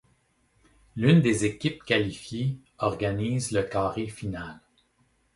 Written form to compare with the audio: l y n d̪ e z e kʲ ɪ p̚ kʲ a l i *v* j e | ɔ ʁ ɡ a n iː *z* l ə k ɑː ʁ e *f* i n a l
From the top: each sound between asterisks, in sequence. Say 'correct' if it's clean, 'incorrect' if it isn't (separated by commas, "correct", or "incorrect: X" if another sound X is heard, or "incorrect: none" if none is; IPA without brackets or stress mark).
incorrect: f, correct, correct